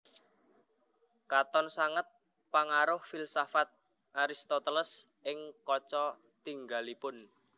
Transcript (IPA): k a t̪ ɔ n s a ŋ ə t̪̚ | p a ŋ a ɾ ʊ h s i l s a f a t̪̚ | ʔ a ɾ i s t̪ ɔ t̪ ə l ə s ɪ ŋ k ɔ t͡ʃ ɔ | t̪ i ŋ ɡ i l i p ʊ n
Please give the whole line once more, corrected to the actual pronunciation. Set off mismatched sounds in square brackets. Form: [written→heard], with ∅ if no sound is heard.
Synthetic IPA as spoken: k a t̪ ɔ n s a ŋ ə t̪̚ | p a ŋ a ɾ ʊ h [s→f] i l s a f a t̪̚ | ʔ a ɾ i s t̪ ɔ t̪ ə l ə s ɪ ŋ k ɔ t͡ʃ ɔ | t̪ i ŋ ɡ [i→a] l i p ʊ n